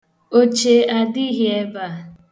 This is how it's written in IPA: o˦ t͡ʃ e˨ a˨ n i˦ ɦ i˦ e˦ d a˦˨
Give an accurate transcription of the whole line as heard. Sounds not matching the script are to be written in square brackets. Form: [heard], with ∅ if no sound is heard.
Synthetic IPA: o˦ t͡ʃ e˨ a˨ [d] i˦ ɦ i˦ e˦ [b] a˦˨